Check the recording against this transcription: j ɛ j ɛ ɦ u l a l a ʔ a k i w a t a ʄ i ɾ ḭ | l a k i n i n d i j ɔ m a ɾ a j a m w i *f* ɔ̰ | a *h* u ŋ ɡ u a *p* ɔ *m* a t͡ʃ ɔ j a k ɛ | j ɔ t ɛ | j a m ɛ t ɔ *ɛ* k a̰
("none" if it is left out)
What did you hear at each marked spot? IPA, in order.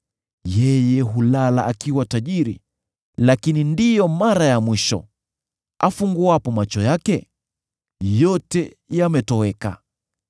ʃ, f, p, m, ɛ

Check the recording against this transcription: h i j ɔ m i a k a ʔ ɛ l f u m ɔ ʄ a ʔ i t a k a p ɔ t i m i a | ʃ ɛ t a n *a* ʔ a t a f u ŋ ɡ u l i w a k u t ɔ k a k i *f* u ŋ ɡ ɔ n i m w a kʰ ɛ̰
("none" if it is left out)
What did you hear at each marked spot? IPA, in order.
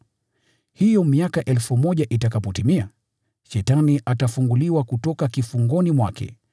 i, f

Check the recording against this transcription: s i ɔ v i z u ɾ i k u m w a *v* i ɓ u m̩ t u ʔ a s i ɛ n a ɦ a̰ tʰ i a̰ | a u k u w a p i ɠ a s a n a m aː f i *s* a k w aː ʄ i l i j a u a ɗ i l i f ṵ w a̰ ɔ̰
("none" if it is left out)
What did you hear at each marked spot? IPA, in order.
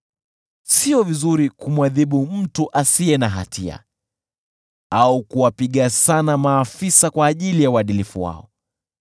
ð, s

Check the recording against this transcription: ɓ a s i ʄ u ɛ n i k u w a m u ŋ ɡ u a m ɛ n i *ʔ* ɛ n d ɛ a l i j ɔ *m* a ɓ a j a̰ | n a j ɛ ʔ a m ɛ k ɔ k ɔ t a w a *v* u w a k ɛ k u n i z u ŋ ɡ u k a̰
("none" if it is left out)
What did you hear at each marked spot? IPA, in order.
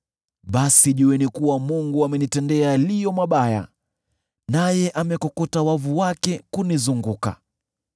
t, m, v

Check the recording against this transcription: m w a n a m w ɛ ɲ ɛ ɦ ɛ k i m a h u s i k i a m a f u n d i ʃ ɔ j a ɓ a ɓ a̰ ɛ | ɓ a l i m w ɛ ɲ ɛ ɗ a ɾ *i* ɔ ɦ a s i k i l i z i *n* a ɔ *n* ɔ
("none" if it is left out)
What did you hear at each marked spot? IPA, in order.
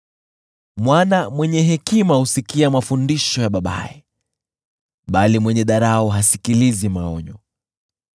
a, m, ɲ

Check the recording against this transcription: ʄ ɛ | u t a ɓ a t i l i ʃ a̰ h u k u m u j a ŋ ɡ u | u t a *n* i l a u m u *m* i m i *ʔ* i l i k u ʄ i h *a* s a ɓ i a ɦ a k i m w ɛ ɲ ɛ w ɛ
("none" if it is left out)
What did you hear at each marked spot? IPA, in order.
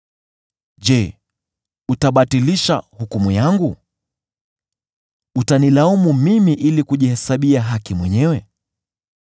n, m, ʔ, ɛ

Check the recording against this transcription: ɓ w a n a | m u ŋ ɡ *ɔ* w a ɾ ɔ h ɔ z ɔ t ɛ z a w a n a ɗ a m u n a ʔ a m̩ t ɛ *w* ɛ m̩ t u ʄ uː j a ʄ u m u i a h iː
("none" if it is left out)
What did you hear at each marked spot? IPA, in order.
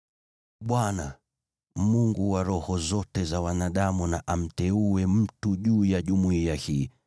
u, u

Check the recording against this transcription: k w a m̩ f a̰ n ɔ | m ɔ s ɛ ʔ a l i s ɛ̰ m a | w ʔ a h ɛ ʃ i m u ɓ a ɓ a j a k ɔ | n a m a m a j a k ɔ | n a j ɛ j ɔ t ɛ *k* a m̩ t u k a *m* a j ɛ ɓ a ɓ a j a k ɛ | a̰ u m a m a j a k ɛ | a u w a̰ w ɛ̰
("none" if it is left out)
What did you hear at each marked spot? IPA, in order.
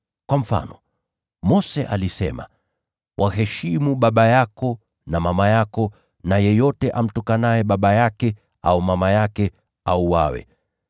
ʔ, n

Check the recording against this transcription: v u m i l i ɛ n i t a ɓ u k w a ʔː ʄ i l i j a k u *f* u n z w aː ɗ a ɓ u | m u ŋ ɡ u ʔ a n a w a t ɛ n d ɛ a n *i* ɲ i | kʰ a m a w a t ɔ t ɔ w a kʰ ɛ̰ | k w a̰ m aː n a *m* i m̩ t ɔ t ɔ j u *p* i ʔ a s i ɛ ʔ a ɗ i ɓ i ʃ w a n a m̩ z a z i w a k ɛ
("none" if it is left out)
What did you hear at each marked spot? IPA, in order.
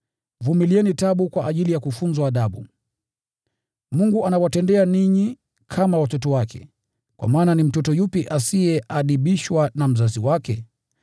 f, i, n, p

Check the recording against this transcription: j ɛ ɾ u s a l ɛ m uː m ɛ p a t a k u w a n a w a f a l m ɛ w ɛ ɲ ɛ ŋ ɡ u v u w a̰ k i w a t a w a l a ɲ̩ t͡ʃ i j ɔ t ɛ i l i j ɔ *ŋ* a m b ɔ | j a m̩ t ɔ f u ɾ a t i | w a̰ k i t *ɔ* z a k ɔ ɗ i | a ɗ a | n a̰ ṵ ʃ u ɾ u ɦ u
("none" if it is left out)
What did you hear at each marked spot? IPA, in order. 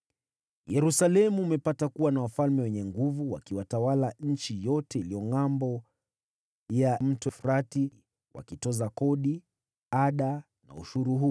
ŋ, ɔ

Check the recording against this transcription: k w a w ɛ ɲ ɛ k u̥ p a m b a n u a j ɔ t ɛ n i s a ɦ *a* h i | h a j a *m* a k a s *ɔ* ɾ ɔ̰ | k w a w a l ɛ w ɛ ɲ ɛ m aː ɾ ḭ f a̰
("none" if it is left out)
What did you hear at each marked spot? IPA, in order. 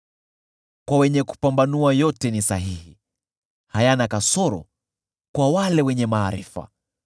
i, n, ɔ

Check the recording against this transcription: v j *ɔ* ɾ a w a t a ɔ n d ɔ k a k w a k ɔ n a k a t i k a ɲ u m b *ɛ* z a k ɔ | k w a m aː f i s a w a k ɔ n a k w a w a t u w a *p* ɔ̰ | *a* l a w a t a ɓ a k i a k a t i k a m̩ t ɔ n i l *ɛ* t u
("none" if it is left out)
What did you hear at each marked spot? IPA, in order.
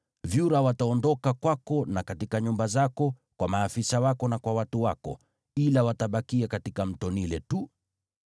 u, a, k, i, ɛ

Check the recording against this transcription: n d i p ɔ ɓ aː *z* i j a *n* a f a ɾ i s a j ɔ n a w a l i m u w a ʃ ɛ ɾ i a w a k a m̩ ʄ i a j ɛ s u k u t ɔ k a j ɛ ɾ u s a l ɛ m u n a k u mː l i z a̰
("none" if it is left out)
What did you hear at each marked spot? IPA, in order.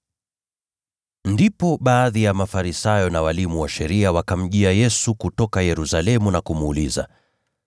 ð, m

